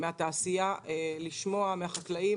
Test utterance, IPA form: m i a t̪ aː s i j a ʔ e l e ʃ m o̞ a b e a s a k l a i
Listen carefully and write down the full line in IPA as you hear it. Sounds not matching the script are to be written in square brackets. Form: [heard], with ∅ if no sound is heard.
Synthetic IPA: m [e] a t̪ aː s i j a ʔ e l [i] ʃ m o̞ a [m] e a [χ] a k l a i